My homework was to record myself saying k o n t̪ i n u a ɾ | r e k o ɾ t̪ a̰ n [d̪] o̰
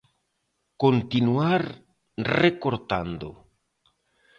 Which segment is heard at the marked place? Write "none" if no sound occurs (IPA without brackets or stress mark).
d̪